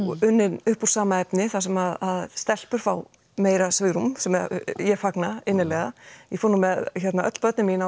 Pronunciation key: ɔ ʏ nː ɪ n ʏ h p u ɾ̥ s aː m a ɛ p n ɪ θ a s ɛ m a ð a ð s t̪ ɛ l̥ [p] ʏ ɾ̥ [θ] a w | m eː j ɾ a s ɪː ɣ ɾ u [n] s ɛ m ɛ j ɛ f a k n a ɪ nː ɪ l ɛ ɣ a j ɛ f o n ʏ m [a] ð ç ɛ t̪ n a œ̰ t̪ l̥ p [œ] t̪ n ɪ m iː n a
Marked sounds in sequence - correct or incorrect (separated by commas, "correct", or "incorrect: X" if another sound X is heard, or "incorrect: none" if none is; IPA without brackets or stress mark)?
correct, incorrect: f, incorrect: m, incorrect: ɛ, correct